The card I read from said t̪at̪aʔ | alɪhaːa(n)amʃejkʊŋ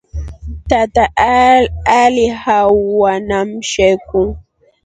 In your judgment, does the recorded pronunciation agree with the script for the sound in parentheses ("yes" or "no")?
yes